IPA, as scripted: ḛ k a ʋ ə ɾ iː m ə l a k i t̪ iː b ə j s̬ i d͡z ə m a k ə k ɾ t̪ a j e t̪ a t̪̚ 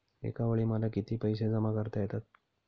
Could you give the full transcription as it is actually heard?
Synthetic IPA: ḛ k a ʋ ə ɭ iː m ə l a k i t̪ iː p ə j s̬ e d͡z ə m a k ə ɾ t̪ a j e t̪ a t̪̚